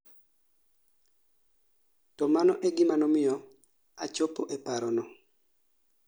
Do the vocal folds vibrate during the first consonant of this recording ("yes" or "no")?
no